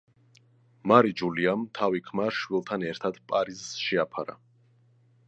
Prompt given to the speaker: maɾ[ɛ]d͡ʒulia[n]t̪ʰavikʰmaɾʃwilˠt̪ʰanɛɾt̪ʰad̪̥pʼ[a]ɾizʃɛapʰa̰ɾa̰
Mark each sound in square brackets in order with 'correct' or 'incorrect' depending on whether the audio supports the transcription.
incorrect, incorrect, correct

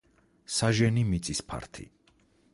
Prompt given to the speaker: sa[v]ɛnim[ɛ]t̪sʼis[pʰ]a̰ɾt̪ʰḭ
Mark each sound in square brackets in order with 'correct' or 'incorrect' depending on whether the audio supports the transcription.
incorrect, incorrect, correct

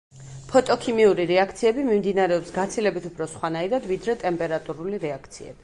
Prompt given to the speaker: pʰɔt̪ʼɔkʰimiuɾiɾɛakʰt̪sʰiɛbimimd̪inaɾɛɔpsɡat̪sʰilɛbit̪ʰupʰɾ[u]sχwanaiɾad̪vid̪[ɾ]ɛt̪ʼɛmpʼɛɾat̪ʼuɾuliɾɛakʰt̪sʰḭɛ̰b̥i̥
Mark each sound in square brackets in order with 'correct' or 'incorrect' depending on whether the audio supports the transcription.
incorrect, correct

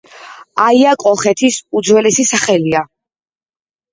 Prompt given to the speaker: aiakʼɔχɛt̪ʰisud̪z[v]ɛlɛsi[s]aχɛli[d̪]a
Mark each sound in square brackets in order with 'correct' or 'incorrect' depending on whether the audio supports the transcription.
incorrect, correct, incorrect

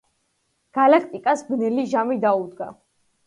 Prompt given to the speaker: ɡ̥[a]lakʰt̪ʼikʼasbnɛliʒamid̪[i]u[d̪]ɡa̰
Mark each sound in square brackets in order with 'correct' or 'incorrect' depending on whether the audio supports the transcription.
correct, incorrect, correct

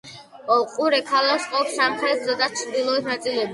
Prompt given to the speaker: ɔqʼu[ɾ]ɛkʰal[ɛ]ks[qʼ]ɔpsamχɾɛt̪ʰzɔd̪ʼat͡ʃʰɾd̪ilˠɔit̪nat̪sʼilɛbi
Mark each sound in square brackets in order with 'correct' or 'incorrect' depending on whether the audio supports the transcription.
correct, incorrect, correct

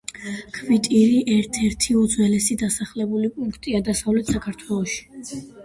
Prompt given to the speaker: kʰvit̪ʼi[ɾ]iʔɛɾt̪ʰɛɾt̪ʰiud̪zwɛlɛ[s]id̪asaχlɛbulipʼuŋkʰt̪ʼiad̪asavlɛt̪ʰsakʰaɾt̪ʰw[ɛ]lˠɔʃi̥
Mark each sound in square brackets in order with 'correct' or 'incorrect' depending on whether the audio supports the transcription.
correct, correct, correct

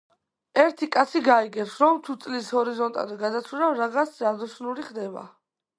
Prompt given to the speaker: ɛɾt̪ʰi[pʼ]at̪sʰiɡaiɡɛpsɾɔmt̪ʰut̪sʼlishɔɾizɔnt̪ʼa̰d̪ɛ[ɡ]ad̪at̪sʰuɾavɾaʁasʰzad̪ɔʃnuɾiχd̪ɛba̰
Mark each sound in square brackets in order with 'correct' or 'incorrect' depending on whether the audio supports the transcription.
incorrect, correct

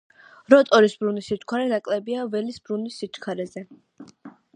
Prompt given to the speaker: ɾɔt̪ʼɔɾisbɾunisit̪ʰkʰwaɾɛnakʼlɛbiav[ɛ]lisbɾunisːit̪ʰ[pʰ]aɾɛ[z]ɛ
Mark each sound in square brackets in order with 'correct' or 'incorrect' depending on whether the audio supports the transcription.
correct, incorrect, correct

